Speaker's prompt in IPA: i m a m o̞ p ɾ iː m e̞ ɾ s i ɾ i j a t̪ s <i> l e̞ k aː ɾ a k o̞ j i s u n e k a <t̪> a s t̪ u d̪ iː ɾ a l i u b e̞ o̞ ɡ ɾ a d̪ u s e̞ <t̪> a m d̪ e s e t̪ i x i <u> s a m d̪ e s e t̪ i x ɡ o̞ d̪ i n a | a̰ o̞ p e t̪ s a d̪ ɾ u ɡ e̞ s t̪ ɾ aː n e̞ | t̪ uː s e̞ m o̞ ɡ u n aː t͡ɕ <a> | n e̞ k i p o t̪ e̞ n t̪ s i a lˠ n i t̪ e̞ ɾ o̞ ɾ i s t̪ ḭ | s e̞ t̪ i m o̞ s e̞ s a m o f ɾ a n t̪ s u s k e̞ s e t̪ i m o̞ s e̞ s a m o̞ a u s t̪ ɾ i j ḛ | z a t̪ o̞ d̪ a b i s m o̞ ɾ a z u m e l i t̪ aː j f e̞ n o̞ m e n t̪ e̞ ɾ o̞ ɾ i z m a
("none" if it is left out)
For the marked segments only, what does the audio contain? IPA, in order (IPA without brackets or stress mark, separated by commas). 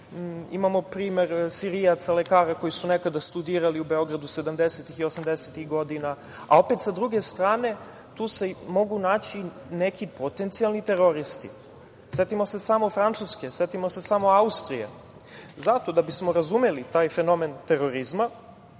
a, d̪, d̪, o, i